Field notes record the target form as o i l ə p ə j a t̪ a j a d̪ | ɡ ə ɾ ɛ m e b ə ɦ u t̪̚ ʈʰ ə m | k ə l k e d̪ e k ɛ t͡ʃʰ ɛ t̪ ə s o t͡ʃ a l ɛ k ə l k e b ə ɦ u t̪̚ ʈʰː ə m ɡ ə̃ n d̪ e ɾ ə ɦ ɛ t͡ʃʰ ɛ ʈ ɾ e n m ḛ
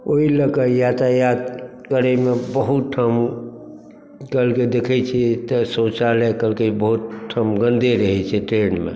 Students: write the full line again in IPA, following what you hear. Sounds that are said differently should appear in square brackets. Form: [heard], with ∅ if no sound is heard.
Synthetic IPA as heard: o i l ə [k] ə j a t̪ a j a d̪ | [k] ə ɾ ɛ m e b ə ɦ u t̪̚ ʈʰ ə m | k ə l k e d̪ e [kʰ] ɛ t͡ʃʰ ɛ t̪ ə s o t͡ʃ a l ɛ k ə l k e b ə ɦ u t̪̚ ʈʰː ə m ɡ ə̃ n d̪ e ɾ ə ɦ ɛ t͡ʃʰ ɛ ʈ ɾ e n m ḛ